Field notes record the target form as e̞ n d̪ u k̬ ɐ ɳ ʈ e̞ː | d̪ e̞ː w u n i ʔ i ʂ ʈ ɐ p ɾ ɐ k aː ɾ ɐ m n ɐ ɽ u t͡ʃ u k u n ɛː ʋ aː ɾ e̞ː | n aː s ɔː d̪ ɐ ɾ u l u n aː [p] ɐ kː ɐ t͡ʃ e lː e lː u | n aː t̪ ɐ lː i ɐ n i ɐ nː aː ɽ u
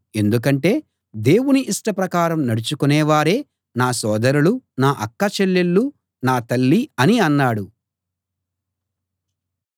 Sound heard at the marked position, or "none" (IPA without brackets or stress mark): ʔ